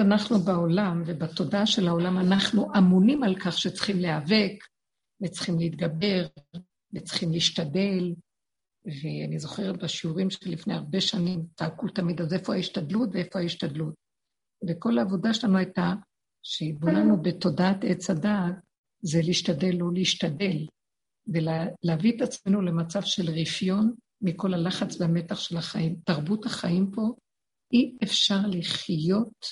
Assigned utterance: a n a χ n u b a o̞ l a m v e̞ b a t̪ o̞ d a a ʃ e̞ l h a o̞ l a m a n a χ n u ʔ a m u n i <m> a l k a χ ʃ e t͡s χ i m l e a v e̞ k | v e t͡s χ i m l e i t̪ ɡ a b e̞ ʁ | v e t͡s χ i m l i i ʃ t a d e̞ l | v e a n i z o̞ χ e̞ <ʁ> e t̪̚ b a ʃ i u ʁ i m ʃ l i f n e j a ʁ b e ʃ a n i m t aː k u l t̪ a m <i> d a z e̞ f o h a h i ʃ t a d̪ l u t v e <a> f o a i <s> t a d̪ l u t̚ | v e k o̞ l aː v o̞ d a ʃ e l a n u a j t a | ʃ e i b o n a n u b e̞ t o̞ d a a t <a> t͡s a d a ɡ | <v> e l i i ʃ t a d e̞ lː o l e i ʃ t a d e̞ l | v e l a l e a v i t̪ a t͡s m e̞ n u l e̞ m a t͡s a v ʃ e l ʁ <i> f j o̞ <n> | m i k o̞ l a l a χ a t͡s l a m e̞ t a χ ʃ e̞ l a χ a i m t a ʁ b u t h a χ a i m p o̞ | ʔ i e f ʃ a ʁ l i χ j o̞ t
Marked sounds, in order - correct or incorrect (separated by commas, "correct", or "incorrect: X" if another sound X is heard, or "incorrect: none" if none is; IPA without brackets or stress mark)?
correct, correct, correct, incorrect: e, incorrect: ʃ, incorrect: e, incorrect: z, correct, correct